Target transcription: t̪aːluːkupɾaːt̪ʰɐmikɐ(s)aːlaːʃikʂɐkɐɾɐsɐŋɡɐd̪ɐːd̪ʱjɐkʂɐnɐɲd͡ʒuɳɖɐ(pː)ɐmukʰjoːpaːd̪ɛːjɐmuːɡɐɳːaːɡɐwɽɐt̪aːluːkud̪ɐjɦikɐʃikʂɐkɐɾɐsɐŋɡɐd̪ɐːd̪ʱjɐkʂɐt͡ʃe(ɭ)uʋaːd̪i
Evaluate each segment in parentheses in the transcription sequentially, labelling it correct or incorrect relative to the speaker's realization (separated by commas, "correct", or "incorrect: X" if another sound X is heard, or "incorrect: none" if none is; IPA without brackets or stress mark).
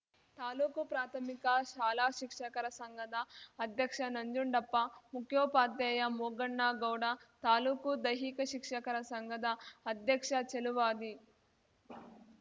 incorrect: ʃ, correct, incorrect: l